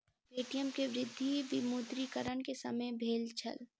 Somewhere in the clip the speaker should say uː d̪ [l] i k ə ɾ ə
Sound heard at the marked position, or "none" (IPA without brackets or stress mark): ɾ